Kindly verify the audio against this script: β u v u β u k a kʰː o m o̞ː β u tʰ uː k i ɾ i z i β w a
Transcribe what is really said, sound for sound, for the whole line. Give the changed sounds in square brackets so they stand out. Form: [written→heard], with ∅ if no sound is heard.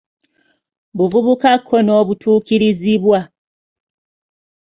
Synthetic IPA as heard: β u v u β u k a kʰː o [m→n] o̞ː β u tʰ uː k i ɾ i z i β w a